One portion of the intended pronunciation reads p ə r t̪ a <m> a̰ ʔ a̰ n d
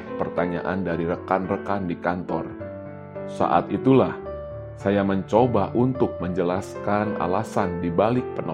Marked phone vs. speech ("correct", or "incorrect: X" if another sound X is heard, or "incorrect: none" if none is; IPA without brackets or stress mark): incorrect: ɲ